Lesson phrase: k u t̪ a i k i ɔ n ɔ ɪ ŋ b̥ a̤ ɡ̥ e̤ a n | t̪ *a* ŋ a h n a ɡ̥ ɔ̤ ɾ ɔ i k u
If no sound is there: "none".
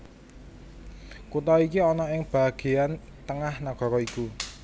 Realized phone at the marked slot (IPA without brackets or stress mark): ə